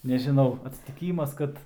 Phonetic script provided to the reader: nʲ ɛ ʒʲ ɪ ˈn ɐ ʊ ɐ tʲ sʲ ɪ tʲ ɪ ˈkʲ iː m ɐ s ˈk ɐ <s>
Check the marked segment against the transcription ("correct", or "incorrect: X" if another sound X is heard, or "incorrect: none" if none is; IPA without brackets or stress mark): incorrect: t